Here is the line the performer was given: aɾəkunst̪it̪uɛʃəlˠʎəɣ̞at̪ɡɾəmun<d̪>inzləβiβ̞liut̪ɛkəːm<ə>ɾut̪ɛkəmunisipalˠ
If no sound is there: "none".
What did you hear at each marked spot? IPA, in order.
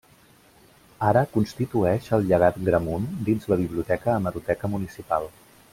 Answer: d̪, ə

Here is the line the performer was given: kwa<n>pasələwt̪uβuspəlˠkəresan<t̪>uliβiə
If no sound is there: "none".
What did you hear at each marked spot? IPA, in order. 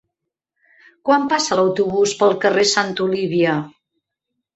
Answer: m, t̪

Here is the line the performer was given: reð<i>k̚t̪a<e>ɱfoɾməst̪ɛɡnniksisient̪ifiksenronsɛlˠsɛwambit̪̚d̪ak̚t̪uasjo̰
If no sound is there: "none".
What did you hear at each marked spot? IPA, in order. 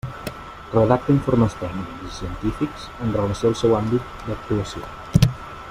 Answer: a, i

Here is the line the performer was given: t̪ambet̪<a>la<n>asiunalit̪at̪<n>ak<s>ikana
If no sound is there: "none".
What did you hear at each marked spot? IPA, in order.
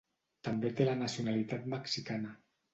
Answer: e, n, m, s

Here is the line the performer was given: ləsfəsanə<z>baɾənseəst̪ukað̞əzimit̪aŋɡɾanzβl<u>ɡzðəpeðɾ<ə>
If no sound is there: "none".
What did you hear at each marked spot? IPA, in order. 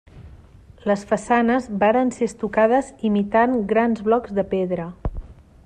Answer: z, ɔ, ə

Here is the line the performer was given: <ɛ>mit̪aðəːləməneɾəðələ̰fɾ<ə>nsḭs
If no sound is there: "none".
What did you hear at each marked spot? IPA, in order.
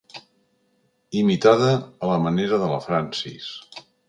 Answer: i, a

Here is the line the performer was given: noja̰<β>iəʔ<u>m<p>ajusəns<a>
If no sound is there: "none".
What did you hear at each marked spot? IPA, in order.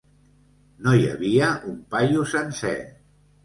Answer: β, u, p, ɛ

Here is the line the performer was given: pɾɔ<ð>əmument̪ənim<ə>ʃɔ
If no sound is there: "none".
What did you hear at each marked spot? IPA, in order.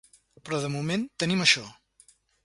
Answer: ð, ə

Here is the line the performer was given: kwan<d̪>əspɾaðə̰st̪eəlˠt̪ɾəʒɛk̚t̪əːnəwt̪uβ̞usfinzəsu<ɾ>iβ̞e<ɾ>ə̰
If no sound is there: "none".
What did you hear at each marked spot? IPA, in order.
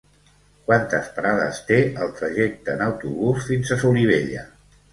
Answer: t̪, l, ʎ

